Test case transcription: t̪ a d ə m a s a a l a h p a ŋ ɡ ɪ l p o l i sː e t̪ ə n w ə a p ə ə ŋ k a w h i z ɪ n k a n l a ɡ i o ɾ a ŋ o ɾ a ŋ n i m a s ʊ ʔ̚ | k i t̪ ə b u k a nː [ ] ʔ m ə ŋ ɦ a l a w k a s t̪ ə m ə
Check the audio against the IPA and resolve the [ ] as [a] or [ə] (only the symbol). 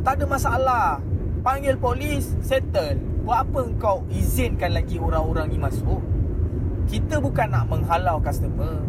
a